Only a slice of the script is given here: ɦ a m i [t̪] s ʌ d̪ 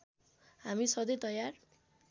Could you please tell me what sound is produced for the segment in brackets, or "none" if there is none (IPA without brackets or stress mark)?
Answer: none